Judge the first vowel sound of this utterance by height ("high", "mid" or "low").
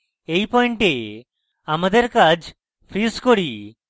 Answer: mid